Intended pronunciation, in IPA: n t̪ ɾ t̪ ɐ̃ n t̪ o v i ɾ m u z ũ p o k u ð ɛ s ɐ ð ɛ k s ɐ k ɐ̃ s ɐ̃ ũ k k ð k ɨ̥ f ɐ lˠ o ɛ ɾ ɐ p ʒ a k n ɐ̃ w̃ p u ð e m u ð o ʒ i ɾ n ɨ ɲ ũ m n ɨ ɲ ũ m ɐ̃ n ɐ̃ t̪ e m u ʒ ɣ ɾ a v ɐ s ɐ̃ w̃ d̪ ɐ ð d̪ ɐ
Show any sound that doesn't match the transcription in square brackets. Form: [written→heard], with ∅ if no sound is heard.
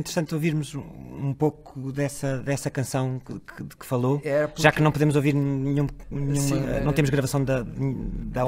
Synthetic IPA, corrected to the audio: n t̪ ɾ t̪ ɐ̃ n t̪ o v i ɾ m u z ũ p o k u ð ɛ s ɐ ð ɛ [k→∅] s ɐ k ɐ̃ s ɐ̃ [ũ→w̃] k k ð k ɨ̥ f ɐ lˠ o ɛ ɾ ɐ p ʒ a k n ɐ̃ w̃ p u ð e m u [ð→z] o [ʒ→v] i ɾ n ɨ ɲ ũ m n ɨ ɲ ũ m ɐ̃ n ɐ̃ t̪ e m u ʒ ɣ ɾ [a→ɐ] v ɐ s ɐ̃ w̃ d̪ ɐ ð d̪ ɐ